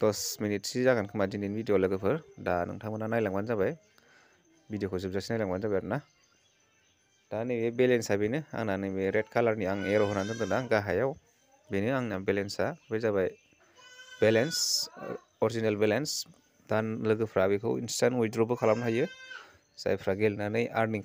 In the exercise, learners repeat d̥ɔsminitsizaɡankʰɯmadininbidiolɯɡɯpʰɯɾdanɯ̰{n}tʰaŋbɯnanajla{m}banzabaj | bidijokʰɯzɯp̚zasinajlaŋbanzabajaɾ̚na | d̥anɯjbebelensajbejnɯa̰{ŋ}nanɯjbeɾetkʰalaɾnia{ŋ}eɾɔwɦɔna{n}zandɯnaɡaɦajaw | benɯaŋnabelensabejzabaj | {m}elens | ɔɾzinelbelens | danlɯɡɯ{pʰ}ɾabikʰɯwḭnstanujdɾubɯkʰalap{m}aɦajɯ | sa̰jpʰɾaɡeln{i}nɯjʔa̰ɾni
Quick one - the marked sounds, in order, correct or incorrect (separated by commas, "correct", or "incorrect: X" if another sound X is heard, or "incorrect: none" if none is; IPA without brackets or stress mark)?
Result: incorrect: ŋ, incorrect: ŋ, correct, correct, correct, incorrect: b, correct, incorrect: n, incorrect: a